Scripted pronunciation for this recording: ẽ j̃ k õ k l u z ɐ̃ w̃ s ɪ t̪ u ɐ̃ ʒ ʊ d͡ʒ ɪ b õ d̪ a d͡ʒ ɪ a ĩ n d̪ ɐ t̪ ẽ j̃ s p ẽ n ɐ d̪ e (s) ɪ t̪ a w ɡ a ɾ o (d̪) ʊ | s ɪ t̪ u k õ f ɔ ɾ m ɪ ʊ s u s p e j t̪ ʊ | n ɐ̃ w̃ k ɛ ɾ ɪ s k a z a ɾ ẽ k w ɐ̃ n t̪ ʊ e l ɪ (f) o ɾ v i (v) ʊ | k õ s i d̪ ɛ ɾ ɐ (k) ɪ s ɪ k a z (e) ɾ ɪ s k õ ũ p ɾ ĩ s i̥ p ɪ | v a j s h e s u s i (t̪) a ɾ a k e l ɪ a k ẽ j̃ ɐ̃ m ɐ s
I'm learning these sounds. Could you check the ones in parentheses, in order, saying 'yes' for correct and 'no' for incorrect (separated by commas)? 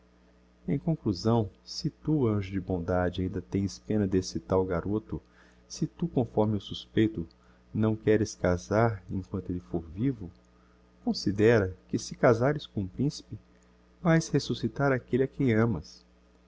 yes, no, yes, yes, yes, no, yes